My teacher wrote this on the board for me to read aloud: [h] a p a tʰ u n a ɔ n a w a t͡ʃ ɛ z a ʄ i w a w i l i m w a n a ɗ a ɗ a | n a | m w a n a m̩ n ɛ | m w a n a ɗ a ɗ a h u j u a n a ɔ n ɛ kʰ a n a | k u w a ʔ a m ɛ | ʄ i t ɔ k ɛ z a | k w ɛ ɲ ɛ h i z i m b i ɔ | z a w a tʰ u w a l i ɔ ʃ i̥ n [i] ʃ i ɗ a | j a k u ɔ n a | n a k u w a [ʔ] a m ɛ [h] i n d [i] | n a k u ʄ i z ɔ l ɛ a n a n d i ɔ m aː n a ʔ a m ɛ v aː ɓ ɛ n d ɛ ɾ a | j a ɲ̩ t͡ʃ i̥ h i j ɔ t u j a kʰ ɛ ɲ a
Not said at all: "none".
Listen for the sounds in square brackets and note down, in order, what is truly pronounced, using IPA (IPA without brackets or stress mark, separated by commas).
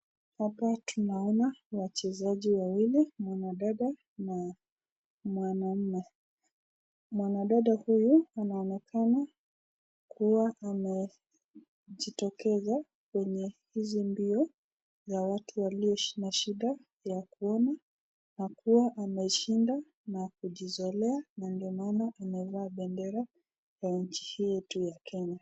h, a, ʔ, ʃ, a